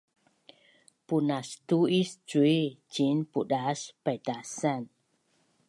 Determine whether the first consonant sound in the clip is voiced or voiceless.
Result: voiceless